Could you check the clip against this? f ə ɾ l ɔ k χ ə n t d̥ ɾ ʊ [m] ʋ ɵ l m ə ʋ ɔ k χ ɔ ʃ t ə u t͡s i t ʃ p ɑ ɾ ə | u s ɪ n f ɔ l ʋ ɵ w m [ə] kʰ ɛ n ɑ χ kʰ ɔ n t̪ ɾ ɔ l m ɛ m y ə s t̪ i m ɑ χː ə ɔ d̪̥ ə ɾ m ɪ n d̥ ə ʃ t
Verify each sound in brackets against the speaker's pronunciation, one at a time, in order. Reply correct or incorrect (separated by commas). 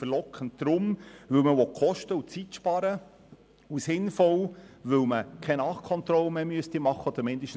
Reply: correct, correct